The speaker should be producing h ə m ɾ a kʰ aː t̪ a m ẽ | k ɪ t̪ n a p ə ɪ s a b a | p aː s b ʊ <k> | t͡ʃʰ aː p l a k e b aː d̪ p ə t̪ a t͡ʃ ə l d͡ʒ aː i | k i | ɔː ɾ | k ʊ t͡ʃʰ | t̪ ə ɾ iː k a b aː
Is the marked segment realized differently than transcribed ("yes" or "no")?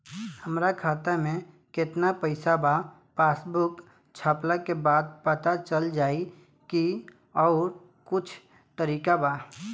no